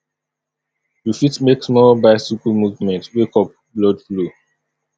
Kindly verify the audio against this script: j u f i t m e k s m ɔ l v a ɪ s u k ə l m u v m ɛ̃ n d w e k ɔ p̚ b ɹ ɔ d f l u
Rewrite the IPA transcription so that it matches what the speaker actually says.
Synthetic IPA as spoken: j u f i t m e k s m ɔ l b a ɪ s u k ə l m u v m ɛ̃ n t w e k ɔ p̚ b l ɔ d f l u